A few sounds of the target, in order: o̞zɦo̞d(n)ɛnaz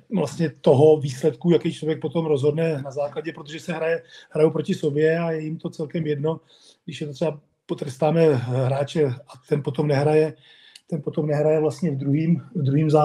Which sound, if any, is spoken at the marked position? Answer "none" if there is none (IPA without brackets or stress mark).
n